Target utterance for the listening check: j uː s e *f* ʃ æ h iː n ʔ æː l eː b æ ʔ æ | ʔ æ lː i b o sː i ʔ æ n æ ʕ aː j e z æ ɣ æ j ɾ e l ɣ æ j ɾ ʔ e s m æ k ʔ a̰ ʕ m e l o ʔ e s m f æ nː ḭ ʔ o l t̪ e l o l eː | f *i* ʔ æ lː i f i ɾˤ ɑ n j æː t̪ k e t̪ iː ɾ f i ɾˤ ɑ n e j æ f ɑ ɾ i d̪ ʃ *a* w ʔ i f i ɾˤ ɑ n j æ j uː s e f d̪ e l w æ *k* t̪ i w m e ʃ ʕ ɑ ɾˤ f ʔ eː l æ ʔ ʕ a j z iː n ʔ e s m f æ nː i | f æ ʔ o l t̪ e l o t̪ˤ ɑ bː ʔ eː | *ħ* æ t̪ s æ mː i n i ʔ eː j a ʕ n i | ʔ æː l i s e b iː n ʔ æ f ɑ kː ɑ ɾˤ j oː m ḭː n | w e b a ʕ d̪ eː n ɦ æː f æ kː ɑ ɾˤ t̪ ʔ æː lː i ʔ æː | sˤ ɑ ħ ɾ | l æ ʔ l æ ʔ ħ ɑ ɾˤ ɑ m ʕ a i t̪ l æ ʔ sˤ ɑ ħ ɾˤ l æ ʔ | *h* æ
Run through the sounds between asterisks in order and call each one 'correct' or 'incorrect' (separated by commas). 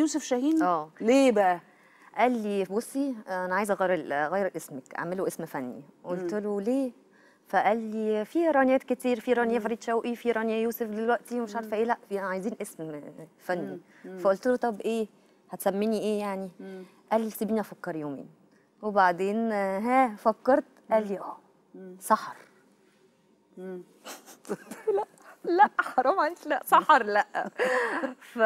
correct, incorrect, incorrect, incorrect, incorrect, incorrect